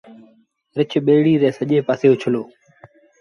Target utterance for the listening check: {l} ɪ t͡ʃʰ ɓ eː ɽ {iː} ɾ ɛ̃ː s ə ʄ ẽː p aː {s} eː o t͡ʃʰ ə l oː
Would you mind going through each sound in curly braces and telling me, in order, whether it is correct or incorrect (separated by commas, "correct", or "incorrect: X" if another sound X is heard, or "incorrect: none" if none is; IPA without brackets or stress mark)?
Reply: incorrect: ɾ, correct, correct